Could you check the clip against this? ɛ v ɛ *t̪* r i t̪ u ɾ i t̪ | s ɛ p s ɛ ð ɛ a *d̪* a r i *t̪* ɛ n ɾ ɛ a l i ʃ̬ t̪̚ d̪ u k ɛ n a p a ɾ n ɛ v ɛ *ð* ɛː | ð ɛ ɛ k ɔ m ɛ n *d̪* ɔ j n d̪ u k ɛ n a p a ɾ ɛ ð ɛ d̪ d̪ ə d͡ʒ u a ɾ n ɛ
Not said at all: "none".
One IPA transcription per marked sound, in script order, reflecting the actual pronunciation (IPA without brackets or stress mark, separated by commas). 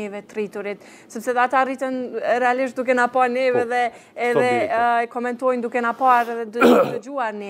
t̪, t̪, t̪, ð, t̪